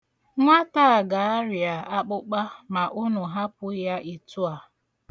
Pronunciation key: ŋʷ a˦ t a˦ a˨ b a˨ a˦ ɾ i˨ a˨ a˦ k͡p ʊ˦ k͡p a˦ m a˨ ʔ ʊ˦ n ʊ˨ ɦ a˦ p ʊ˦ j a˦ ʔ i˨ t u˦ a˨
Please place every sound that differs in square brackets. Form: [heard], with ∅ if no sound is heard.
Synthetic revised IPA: ŋʷ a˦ t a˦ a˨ [ɡ] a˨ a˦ ɾ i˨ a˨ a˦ k͡p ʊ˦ k͡p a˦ m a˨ ʔ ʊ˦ n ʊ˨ ɦ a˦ p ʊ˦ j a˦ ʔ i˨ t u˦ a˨